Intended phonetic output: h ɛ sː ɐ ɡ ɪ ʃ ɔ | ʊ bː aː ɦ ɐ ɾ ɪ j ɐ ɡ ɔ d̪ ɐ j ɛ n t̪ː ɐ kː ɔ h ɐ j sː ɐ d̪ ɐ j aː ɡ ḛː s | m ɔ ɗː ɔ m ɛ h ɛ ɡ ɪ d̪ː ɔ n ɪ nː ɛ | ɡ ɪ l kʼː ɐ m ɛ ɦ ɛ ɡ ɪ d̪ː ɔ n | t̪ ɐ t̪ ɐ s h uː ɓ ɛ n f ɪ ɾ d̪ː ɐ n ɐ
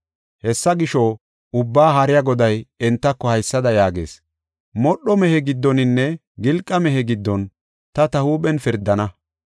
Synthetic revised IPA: h ɛ sː ɐ ɡ ɪ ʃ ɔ | ʊ bː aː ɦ ɐ ɾ ɪ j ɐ ɡ ɔ d̪ ɐ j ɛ n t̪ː ɐ kː ɔ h ɐ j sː ɐ d̪ ɐ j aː ɡ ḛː s | m ɔ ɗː ɔ m ɛ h ɛ ɡ ɪ d̪ː ɔ n ɪ nː ɛ | ɡ ɪ l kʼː ɐ m ɛ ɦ ɛ ɡ ɪ d̪ː ɔ n | t̪ ɐ t̪ ɐ h uː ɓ ɛ n f ɪ ɾ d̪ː ɐ n ɐ